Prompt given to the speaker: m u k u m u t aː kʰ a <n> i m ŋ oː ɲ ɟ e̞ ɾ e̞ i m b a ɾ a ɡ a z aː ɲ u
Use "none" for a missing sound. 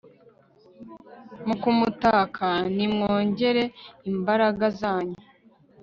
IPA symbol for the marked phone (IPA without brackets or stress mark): n